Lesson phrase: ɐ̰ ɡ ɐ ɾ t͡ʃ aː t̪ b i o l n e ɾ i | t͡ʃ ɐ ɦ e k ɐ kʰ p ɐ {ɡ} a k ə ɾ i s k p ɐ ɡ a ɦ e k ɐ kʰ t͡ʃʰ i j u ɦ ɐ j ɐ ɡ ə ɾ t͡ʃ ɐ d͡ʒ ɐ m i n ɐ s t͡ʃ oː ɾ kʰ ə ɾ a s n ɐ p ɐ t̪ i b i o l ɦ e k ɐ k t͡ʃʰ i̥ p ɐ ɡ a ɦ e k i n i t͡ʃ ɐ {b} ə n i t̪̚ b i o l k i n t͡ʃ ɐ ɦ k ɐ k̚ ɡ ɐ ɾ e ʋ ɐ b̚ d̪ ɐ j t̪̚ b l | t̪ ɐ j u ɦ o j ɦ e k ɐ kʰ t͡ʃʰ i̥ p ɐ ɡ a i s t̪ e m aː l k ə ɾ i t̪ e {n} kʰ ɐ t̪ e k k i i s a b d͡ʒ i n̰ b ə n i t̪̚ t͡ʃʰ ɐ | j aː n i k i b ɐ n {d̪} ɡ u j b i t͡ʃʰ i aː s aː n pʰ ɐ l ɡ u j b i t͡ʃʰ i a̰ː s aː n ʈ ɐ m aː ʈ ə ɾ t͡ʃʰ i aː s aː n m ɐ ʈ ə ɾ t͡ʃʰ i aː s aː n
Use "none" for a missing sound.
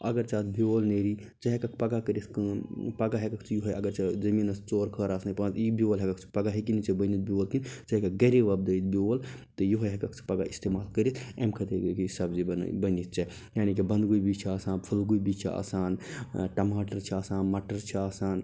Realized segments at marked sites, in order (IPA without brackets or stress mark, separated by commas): ɡ, b, m, d̪